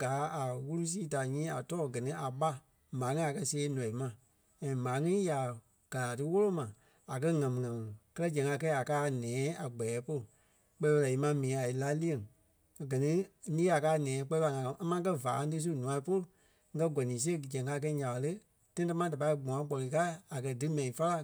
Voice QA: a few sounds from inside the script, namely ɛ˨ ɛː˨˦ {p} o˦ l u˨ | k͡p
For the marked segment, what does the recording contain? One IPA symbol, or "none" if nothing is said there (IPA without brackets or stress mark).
p